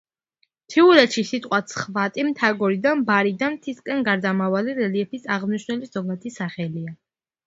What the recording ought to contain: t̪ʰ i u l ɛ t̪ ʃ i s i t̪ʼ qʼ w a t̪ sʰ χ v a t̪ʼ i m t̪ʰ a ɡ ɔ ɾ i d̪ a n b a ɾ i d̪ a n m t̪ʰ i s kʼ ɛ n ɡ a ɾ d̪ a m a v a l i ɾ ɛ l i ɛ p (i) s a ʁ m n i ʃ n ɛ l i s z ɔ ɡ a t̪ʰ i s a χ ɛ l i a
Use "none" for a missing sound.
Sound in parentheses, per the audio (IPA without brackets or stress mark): i